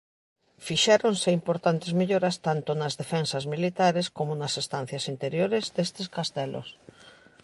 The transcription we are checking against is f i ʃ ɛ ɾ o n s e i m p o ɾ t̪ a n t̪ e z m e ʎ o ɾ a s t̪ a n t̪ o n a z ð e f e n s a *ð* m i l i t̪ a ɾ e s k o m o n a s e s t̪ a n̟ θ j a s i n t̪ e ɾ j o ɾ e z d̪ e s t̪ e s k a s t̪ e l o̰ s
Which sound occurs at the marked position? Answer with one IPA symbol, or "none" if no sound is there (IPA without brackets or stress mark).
z